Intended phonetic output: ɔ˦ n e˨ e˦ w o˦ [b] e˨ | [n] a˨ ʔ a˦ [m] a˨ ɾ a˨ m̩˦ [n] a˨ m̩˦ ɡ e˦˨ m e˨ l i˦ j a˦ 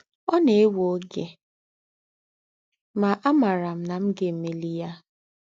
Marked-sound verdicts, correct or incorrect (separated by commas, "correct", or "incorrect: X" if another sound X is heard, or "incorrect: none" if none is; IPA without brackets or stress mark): incorrect: ɡ, incorrect: m, correct, correct